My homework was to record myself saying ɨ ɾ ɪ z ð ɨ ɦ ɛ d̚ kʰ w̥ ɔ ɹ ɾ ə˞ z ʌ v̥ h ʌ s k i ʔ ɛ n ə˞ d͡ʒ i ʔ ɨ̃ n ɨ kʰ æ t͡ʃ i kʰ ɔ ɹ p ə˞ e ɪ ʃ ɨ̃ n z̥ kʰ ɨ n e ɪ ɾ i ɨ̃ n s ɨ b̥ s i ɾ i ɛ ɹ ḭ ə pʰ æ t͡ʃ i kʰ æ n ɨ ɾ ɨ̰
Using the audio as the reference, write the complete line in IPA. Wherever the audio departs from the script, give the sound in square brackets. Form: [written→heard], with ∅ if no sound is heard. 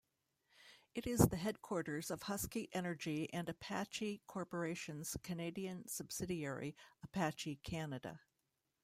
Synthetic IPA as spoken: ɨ ɾ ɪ z ð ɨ ɦ ɛ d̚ kʰ w̥ ɔ ɹ ɾ ə˞ z ʌ v̥ h ʌ s k i ʔ ɛ n ə˞ d͡ʒ i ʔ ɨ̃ n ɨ [kʰ→pʰ] æ t͡ʃ i kʰ ɔ ɹ p ə˞ e ɪ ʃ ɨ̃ n z̥ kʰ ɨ n e ɪ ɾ i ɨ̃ n s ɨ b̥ s [i→ɪ] ɾ i ɛ ɹ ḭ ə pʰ æ t͡ʃ i kʰ æ n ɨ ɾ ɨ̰